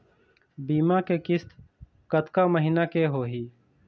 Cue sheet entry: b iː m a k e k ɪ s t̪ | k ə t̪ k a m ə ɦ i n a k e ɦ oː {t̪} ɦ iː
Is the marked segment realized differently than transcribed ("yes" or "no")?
yes